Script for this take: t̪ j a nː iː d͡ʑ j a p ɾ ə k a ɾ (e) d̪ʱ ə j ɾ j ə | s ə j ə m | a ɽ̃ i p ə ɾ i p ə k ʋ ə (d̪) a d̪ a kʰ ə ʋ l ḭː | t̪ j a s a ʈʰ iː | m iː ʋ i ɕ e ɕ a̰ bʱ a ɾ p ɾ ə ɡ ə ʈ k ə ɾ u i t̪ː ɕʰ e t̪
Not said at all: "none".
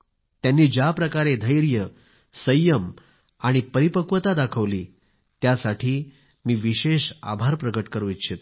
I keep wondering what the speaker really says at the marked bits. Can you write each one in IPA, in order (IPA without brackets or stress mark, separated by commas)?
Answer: e, t̪